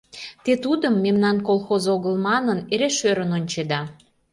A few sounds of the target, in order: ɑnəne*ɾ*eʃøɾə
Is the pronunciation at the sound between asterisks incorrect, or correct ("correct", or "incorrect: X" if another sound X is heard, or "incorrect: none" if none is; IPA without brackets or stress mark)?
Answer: correct